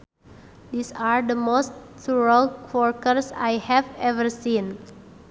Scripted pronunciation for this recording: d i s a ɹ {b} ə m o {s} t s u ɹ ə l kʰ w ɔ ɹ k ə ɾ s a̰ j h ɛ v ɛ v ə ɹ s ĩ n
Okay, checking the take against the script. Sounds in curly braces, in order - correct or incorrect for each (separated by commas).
incorrect, correct